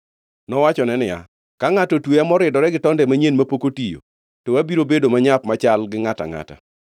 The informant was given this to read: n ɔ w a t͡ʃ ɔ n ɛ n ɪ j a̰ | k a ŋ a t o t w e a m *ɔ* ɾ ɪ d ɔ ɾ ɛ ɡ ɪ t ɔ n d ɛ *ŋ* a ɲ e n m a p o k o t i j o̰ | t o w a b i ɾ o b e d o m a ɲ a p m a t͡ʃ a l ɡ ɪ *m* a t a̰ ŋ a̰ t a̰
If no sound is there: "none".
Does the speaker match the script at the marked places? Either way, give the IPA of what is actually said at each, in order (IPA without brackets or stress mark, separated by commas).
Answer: ɔ, m, ŋ